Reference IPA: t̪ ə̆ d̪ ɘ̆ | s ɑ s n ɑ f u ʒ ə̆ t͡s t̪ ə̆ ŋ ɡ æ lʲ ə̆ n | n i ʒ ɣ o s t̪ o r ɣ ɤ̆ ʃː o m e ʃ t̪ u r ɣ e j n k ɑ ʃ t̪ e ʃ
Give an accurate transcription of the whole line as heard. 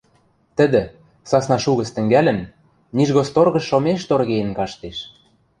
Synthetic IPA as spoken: t̪ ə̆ d̪ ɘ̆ | s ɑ s n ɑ ʃ u ɣ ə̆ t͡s t̪ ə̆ ŋ ɡ æ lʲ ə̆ n | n i ʒ ɣ o s t̪ o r ɣ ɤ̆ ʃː o m e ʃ t̪ o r ɣ e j n k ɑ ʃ t̪ e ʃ